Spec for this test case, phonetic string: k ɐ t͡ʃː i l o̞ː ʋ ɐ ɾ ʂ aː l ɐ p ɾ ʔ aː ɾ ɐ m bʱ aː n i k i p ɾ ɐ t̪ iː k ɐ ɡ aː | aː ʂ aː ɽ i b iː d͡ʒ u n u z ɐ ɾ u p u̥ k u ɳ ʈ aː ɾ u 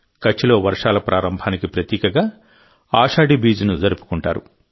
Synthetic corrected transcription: k ɐ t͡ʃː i l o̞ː ʋ ɐ ɾ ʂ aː l ɐ p ɾ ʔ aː ɾ ɐ m bʱ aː n i k i p ɾ ɐ t̪ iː k ɐ ɡ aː | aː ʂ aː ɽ i b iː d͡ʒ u n u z ɐ ɾ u p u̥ k u ɳ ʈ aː ɾ u

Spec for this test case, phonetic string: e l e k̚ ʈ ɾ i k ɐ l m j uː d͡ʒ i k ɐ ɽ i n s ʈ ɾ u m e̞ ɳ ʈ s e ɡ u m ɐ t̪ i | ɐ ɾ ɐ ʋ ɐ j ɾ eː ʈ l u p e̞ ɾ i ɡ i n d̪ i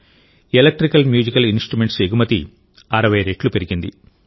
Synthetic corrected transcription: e l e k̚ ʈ ɾ i k ɐ l m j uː d͡ʒ i k ɐ l i n s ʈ ɾ u m e̞ ɳ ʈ s e ɡ u m ɐ t̪ i | ɐ ɾ ɐ ʋ ɐ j ɾ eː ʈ l u p e̞ ɾ i ɡ i n d̪ i

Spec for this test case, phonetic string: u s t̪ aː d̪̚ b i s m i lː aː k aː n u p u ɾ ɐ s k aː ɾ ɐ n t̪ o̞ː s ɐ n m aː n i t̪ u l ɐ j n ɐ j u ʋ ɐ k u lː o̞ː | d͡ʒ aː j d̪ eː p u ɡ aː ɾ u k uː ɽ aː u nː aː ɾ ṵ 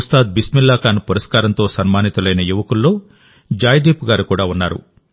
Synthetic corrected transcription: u s t̪ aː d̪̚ b i s m i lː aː k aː n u p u ɾ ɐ s k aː ɾ ɐ n t̪ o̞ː s ɐ n m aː n i t̪ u l ɐ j n ɐ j u ʋ ɐ k u lː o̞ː | d͡ʒ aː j d̪ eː p u ɡ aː ɾ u k uː ɽ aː u nː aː ɾ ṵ

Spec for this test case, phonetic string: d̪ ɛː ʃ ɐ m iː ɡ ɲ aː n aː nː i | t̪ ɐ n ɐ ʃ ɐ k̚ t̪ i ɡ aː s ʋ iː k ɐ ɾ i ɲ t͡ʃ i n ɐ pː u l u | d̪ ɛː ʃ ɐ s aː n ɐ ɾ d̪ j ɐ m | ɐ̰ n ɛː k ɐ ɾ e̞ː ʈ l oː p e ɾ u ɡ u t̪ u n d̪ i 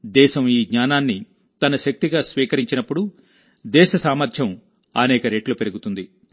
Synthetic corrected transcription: d̪ ɛː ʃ ɐ m iː ɡ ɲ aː n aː nː i | t̪ ɐ n ɐ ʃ ɐ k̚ t̪ i ɡ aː s ʋ iː k ɐ ɾ i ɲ t͡ʃ i n ɐ pː u ɽ u | d̪ ɛː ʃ ɐ s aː m ɐ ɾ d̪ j ɐ m | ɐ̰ n ɛː k ɐ ɾ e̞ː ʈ l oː p e ɾ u ɡ u t̪ u n d̪ i

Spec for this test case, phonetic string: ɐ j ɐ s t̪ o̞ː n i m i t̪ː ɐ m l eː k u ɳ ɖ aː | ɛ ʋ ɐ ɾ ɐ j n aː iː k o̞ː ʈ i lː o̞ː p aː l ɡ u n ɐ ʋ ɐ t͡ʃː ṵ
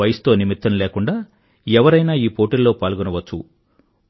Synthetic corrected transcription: ɐ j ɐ s t̪ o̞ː n i m i t̪ː ɐ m l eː k u ɳ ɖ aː | ɛ ʋ ɐ ɾ ɐ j n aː iː p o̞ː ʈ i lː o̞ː p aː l ɡ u n ɐ ʋ ɐ t͡ʃː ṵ

